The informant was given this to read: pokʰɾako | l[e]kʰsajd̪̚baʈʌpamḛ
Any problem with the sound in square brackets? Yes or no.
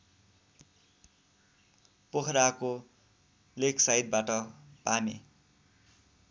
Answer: no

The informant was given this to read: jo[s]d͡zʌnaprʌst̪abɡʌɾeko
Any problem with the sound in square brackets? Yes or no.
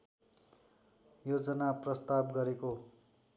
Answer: yes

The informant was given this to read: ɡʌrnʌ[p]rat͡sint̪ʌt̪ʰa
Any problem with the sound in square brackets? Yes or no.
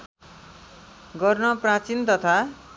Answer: no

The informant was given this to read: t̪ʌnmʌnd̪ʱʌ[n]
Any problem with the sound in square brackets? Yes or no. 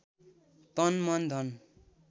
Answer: no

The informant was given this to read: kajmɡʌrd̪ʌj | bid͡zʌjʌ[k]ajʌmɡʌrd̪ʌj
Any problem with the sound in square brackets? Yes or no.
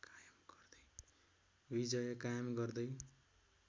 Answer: no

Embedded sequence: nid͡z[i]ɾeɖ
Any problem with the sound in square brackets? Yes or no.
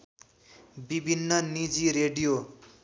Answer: no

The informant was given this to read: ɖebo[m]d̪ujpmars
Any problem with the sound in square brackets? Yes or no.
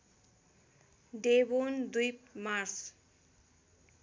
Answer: yes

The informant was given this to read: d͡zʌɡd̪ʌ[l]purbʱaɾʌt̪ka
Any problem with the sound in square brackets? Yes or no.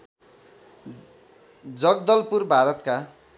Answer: no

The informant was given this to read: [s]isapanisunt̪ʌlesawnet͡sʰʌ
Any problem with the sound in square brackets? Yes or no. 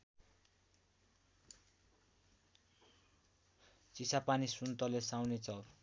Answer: yes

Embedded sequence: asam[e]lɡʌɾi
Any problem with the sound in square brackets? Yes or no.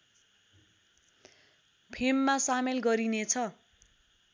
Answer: no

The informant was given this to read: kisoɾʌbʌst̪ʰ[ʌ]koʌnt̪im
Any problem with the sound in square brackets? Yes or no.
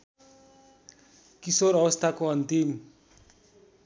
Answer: yes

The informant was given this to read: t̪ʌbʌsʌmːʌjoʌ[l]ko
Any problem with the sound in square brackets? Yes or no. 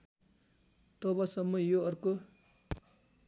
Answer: yes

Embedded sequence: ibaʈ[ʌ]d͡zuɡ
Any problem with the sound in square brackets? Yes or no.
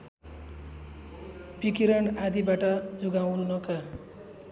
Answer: no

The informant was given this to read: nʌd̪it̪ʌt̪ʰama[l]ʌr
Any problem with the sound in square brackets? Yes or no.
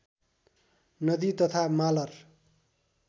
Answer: no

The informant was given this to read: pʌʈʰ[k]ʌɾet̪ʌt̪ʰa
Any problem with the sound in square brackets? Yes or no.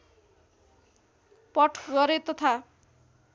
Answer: yes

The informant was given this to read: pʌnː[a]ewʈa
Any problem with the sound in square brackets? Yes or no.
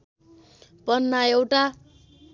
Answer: no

